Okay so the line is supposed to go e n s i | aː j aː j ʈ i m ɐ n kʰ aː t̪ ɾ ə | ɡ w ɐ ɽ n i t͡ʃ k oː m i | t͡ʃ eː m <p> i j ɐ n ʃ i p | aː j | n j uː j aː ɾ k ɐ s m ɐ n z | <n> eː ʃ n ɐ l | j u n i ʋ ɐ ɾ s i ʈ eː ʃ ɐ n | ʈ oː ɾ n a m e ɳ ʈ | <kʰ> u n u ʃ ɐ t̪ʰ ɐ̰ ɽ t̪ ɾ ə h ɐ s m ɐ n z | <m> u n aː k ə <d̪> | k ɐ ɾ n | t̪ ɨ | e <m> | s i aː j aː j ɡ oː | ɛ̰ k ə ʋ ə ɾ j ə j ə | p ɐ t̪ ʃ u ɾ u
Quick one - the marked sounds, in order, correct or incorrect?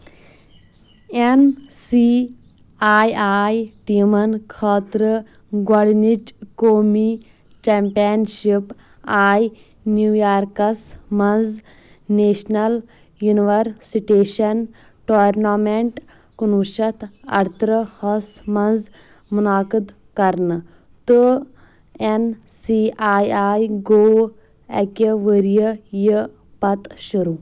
correct, correct, incorrect, correct, correct, incorrect

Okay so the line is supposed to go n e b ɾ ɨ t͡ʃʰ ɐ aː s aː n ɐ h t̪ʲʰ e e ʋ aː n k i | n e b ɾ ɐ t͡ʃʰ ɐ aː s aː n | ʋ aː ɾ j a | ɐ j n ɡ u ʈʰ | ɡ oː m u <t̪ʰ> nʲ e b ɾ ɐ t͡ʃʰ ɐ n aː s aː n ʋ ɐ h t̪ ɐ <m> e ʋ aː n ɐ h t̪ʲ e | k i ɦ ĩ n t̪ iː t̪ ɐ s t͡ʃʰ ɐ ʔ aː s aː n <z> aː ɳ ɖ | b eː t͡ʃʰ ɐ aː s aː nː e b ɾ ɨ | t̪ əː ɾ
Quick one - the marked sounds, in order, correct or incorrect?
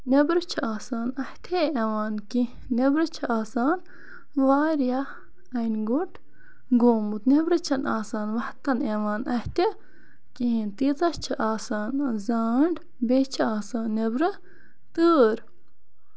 incorrect, incorrect, correct

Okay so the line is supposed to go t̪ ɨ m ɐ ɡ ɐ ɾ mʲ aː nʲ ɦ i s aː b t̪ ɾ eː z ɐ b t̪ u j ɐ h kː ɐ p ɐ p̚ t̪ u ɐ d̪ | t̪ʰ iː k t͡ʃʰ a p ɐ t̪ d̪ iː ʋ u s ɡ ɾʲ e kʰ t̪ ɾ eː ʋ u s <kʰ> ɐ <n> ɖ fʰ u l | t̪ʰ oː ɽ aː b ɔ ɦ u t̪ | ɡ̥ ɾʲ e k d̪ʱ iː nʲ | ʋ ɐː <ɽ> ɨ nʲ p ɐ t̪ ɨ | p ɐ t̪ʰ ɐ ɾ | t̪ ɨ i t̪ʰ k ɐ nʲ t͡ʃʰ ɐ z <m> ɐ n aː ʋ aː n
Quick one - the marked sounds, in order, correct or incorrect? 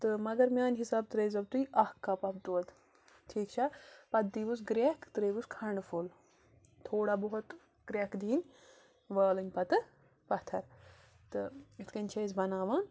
correct, incorrect, incorrect, incorrect

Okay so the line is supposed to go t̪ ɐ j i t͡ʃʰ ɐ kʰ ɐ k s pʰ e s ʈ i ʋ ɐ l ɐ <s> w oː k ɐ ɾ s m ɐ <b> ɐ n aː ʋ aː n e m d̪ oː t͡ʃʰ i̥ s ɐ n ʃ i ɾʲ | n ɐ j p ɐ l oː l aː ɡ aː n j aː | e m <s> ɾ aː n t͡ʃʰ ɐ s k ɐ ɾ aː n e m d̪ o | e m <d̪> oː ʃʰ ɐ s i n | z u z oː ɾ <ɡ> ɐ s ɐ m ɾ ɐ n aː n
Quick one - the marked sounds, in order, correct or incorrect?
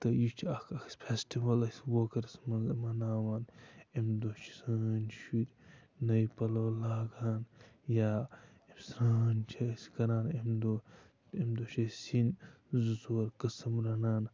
correct, incorrect, correct, correct, incorrect

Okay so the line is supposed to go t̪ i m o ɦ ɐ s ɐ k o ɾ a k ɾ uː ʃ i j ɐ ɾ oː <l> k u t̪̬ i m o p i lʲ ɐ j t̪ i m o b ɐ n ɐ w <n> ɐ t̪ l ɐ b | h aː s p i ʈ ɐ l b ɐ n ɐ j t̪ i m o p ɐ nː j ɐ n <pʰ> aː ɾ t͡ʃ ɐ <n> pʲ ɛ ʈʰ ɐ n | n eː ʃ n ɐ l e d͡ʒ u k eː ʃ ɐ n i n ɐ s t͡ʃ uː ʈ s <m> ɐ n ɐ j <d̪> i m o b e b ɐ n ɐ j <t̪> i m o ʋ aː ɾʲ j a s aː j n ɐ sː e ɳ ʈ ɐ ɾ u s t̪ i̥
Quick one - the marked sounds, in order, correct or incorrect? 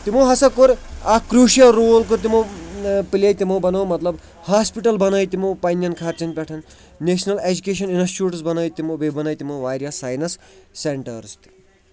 correct, incorrect, incorrect, correct, incorrect, incorrect, correct

